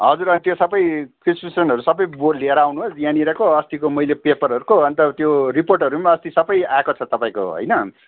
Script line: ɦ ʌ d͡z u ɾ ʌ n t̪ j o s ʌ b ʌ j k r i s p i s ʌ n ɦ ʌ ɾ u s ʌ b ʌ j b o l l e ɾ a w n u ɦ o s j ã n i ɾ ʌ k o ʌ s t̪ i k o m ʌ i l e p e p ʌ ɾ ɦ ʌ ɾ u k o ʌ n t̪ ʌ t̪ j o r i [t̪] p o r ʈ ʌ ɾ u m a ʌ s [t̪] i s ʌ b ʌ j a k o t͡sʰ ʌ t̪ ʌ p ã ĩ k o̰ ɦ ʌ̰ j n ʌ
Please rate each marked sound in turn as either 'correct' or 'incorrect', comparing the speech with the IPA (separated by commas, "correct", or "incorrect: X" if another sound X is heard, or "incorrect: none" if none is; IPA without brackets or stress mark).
incorrect: none, correct